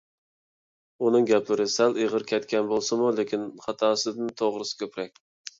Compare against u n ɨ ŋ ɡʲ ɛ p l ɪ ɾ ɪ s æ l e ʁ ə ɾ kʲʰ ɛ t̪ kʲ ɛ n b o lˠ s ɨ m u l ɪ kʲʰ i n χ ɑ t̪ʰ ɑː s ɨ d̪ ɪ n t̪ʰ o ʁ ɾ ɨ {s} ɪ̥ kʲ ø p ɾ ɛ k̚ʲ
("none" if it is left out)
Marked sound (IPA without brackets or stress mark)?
s